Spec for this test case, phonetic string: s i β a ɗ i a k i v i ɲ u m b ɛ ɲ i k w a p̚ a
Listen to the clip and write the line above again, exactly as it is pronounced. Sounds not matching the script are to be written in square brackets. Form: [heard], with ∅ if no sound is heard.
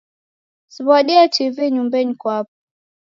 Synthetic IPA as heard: s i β a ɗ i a [t] i v i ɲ u m b ɛ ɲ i k w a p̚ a